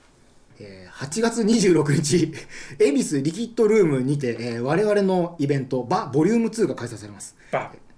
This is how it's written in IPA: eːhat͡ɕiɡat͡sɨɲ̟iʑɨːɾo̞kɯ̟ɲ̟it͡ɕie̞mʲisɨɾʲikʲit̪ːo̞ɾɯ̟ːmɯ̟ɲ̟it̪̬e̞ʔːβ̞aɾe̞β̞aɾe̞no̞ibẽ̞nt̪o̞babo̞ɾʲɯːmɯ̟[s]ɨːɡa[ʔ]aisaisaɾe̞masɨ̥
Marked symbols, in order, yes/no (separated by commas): no, no